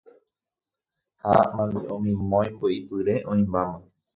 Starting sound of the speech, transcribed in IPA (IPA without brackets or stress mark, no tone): h